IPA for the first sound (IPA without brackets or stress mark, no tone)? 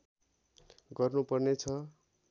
ɡ